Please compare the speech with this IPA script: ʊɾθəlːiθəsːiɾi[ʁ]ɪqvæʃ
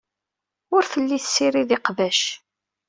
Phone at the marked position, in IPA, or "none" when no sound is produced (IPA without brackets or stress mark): ð